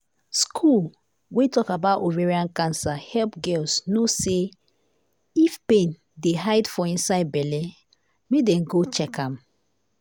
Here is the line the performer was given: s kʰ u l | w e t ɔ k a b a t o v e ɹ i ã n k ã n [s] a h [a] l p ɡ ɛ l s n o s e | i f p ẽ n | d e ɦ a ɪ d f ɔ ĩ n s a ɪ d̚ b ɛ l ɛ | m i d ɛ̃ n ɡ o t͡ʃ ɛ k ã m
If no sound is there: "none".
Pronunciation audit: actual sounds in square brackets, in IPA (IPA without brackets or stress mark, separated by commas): s, ɛ